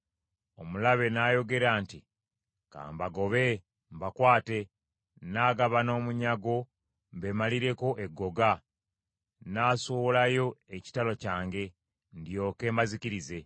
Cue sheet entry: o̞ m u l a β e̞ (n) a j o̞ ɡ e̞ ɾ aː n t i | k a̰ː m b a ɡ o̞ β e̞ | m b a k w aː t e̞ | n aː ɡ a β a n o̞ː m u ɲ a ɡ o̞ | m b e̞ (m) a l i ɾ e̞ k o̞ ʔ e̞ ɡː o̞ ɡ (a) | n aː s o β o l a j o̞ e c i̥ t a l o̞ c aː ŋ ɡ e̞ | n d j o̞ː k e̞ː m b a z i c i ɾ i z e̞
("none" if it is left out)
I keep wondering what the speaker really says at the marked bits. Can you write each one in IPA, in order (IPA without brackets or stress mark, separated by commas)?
n, m, a